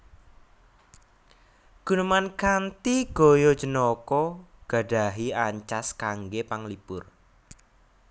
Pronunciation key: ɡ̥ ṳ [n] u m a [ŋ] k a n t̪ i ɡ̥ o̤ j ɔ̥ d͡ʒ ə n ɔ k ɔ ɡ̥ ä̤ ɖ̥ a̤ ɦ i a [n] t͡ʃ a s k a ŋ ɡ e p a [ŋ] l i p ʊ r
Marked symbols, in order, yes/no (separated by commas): yes, no, no, yes